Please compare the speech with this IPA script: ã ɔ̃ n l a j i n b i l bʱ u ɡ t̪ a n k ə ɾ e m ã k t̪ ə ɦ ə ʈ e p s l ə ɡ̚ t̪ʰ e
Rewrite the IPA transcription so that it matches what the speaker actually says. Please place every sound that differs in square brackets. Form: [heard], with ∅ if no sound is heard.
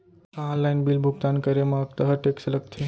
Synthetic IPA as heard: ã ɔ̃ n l a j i n b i l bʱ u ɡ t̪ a n k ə ɾ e m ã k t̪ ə ɦ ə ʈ e [k] s l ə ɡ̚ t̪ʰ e